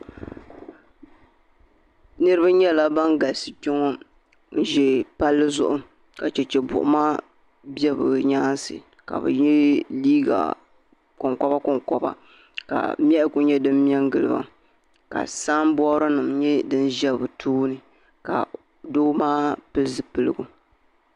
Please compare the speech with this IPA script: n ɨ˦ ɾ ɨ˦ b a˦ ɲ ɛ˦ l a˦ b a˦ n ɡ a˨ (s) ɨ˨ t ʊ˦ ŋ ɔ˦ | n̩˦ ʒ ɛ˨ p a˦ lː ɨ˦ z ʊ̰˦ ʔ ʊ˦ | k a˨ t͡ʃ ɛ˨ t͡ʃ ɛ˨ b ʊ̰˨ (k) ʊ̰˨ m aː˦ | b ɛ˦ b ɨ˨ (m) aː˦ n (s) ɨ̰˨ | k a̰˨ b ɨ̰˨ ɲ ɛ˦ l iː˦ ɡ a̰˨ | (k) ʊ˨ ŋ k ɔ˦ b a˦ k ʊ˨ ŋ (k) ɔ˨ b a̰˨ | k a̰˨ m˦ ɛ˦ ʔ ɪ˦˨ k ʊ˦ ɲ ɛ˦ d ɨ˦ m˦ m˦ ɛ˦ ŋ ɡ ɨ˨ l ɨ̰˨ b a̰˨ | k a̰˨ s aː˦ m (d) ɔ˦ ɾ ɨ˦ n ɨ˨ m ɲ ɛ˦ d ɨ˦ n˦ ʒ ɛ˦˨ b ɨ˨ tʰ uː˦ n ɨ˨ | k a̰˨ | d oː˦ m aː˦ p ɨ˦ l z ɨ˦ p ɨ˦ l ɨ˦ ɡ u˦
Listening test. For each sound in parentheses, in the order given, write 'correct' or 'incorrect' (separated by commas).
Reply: correct, incorrect, incorrect, correct, correct, correct, incorrect